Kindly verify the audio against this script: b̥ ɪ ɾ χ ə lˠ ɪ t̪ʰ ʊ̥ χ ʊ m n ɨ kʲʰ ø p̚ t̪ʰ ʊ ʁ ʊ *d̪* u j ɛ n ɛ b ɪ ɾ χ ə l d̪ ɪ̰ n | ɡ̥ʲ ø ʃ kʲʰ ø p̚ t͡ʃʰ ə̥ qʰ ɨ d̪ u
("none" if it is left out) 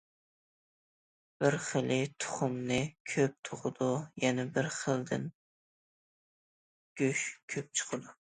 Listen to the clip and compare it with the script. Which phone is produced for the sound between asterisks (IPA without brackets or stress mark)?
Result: d̪